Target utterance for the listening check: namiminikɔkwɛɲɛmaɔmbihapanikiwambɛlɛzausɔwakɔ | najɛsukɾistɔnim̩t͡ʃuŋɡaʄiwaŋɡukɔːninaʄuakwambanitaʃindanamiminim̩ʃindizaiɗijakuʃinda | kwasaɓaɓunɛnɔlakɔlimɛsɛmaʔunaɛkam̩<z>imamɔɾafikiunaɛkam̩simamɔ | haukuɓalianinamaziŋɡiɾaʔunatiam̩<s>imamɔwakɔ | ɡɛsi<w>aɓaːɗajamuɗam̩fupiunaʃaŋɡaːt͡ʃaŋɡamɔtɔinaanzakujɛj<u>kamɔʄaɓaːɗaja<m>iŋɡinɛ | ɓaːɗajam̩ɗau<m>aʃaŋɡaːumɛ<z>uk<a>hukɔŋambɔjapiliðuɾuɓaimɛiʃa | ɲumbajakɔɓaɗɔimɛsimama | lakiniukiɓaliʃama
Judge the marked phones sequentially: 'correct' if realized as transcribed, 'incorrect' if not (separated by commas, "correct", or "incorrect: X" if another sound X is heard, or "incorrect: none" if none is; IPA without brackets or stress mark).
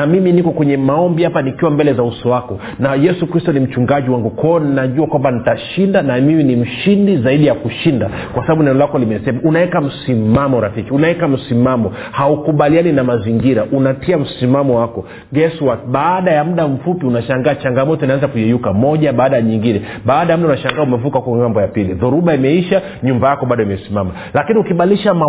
incorrect: s, correct, correct, correct, incorrect: ɲ, incorrect: n, incorrect: v, correct